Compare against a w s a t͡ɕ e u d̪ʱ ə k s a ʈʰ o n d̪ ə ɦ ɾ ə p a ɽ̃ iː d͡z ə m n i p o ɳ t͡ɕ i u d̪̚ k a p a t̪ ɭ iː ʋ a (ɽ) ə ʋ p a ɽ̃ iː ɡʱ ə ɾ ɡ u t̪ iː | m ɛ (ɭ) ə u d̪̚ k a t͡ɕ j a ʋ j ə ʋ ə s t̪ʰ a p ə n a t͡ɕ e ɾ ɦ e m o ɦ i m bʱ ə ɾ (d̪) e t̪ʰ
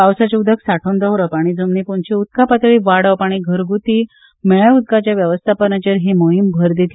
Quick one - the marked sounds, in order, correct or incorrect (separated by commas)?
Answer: correct, correct, correct